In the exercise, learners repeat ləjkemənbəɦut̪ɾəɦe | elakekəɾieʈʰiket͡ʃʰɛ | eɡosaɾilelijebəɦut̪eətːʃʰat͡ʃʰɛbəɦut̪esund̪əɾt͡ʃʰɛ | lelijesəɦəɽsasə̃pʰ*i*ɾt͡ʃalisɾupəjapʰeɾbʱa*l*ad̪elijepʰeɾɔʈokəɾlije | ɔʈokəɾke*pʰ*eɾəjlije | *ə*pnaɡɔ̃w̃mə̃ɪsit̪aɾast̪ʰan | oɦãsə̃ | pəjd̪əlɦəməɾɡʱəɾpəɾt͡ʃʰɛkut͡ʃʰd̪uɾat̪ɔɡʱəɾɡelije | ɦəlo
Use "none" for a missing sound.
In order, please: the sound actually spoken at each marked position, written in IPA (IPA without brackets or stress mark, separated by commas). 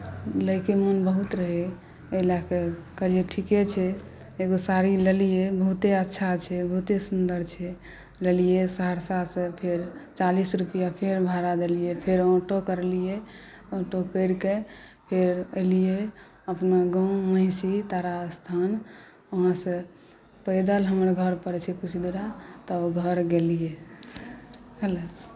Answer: e, ɾ, pʰ, ə